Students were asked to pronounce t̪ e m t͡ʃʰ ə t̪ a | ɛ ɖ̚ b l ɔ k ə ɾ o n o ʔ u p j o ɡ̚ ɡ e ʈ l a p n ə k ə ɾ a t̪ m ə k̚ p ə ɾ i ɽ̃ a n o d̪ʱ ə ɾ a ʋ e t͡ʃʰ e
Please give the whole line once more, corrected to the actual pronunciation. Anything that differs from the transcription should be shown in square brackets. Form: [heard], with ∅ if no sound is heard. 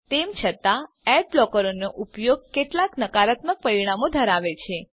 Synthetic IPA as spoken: t̪ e m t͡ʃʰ ə t̪ a | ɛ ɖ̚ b l ɔ k ə ɾ o n o ʔ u p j o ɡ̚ [k] e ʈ l a [k] n ə k [a] ɾ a t̪ m ə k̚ p ə ɾ i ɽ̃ a [m] o d̪ʱ ə ɾ a ʋ e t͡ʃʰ e